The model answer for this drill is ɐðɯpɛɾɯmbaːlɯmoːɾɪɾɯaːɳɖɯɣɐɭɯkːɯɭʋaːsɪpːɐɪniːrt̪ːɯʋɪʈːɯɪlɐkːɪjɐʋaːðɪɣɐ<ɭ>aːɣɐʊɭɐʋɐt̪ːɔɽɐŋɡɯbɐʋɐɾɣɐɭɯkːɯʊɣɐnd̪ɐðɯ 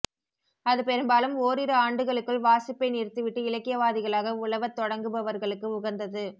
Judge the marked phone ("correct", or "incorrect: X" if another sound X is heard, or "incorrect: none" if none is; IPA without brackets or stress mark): correct